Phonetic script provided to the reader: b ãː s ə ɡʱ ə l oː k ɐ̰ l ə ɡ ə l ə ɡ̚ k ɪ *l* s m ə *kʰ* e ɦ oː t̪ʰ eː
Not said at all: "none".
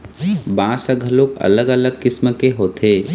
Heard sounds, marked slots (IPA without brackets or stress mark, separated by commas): none, k